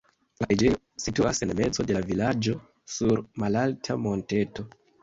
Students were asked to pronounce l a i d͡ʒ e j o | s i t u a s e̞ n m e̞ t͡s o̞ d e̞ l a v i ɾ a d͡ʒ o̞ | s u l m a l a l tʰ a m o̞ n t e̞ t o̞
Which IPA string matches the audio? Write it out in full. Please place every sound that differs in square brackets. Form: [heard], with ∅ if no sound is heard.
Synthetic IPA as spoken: l a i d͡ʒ e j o | s i t u a s e̞ n m e̞ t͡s o̞ d e̞ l a v i [l] a d͡ʒ o̞ | s u [ɾ] m a l a l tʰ a m o̞ n t e̞ t o̞